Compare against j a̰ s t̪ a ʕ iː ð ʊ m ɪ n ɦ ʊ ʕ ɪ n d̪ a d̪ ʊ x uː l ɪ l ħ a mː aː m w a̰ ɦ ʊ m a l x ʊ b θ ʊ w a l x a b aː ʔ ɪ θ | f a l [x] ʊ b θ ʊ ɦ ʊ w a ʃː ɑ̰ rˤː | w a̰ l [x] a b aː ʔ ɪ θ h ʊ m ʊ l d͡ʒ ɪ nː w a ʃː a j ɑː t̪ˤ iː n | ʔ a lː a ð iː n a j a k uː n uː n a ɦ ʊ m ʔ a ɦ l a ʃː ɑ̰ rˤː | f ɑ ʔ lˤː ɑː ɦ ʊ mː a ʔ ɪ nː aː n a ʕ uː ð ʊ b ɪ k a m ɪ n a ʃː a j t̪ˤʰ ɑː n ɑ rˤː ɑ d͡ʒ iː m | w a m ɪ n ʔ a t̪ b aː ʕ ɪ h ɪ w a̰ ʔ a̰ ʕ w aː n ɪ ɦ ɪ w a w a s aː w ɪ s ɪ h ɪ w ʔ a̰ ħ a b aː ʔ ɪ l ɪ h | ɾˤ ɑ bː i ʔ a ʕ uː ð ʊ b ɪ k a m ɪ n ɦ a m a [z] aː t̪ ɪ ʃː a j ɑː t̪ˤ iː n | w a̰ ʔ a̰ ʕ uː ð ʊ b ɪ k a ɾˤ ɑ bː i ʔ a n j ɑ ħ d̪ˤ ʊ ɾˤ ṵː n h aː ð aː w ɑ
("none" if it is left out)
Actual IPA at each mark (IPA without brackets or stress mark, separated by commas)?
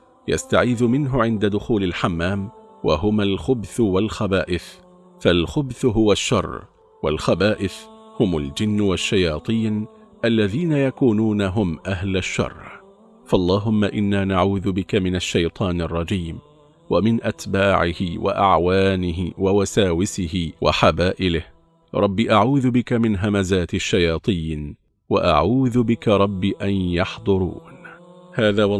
x, x, z